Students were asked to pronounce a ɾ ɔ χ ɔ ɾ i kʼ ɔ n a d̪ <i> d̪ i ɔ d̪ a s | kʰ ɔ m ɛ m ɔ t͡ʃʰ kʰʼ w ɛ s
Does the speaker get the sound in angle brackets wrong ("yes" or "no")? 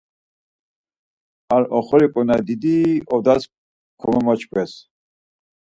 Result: no